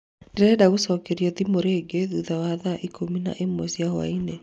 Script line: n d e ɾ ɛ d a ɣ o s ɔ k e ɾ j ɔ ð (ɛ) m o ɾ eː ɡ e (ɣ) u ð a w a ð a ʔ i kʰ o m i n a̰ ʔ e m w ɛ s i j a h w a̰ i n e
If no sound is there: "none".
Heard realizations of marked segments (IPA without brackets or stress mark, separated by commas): i, ð